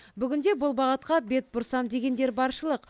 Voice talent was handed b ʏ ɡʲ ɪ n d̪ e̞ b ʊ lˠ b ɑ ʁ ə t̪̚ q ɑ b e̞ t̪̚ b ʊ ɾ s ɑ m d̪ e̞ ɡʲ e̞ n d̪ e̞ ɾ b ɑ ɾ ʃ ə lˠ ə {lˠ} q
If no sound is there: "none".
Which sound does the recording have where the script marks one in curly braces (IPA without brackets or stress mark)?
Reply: none